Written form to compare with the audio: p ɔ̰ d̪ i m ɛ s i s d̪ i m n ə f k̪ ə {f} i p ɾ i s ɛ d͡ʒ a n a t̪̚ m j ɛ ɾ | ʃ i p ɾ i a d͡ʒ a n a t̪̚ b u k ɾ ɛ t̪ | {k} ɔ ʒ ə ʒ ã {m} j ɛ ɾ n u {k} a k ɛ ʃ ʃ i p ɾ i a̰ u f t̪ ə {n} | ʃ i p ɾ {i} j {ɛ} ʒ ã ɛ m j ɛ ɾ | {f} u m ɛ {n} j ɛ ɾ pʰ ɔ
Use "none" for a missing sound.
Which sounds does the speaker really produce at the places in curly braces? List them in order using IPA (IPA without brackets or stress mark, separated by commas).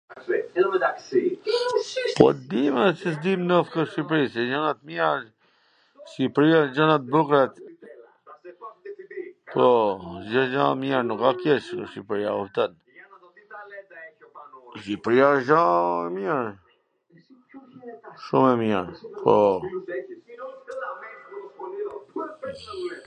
ʃ, p, m, k, n, i, a, ʃ, m